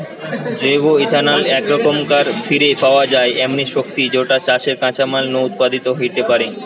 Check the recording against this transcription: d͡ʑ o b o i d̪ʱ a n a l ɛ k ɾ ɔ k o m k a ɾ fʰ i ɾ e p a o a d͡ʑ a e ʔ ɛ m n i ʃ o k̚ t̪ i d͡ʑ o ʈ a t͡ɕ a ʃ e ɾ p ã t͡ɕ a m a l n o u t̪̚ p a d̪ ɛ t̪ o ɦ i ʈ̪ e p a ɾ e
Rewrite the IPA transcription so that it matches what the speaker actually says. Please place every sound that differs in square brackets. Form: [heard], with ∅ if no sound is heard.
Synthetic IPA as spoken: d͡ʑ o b o i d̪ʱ a n a l ɛ k ɾ ɔ k o m k a ɾ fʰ i ɾ e p a o a d͡ʑ a e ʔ ɛ m n i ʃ o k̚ t̪ i d͡ʑ o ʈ a t͡ɕ a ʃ e ɾ [k] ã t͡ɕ a m a l n o u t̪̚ p a d̪ [i] t̪ o ɦ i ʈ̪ e p a ɾ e